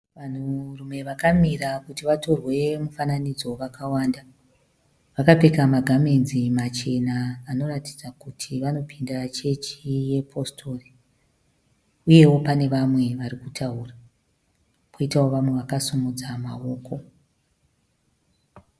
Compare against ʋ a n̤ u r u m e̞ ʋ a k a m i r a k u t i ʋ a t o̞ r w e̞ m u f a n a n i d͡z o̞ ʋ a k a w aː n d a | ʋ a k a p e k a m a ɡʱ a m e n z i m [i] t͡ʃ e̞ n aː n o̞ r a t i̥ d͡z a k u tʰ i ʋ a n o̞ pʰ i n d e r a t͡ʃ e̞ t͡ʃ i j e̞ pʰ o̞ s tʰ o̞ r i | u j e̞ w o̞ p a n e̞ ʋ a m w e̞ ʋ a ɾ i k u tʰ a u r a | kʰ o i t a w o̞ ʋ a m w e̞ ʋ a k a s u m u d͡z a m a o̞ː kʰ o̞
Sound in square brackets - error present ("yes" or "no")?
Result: yes